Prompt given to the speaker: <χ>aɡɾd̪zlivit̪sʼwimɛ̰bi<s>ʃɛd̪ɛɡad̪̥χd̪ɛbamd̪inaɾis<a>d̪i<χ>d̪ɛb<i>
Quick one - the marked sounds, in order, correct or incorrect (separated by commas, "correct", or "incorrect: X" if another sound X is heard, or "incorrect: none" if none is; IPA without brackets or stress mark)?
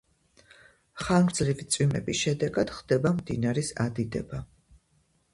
correct, correct, correct, incorrect: none, incorrect: a